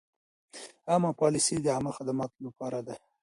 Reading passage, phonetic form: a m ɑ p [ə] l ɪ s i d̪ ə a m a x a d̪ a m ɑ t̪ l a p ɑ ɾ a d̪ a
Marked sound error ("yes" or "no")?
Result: yes